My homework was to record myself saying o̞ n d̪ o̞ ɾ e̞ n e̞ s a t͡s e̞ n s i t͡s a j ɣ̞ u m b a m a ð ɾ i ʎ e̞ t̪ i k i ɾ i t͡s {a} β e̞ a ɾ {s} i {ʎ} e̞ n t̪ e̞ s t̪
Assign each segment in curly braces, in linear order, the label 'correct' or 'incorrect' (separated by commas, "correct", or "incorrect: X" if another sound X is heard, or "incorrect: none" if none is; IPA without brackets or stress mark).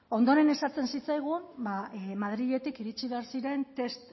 incorrect: i, correct, incorrect: ɾ